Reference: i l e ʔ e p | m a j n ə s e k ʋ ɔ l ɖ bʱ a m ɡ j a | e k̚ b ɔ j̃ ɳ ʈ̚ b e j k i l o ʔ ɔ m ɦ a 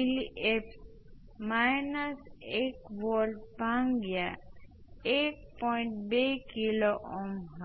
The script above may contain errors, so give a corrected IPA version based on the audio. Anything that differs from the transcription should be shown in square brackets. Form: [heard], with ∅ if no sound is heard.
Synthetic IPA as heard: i l [i] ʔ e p | m a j n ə s e k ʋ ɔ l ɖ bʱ a [ŋ] ɡ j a | e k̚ [p] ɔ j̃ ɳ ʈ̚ b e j k i l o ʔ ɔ m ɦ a